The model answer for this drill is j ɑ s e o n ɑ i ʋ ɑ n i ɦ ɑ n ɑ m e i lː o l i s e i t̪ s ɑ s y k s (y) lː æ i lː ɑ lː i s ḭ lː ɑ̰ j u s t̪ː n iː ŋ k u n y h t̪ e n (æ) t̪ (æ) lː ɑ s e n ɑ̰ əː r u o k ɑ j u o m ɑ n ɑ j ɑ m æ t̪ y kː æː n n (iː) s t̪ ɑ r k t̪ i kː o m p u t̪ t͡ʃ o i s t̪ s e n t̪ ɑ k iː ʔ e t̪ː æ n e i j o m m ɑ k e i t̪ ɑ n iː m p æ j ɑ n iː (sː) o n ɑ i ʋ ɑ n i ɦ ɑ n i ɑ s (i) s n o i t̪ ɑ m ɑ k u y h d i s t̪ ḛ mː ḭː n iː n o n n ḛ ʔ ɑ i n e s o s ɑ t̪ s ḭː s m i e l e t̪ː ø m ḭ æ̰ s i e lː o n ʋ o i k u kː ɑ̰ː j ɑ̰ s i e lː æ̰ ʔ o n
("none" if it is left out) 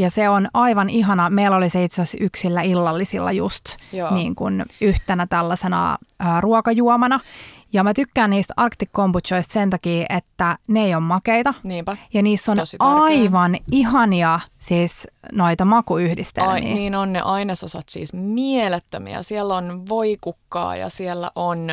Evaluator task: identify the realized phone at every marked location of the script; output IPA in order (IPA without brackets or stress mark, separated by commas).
i, æ, æ, iː, sː, iː